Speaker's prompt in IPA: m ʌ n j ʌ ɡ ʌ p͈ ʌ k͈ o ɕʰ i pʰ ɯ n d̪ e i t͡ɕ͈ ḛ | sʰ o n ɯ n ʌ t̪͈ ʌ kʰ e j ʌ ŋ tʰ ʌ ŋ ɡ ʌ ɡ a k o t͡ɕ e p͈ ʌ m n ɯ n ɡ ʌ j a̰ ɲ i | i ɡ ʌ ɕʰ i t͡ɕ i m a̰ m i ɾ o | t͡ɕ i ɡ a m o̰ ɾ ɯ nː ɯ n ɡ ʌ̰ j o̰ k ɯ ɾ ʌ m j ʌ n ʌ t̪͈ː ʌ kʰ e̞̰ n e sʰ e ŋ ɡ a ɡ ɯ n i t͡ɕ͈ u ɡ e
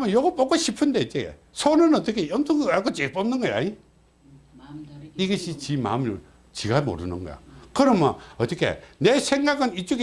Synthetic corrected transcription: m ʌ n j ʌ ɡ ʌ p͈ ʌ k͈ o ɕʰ i pʰ ɯ n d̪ e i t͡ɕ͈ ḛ | sʰ o n ɯ n ʌ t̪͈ ʌ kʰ e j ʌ m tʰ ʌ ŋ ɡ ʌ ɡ a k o t͡ɕ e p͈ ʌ m n ɯ n ɡ ʌ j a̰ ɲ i | i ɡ ʌ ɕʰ i t͡ɕ i m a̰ m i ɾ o | t͡ɕ i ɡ a m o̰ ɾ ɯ n ɯ n ɡ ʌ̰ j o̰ k ɯ ɾ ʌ m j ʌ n ʌ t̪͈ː ʌ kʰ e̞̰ n e sʰ e ŋ ɡ a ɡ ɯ n i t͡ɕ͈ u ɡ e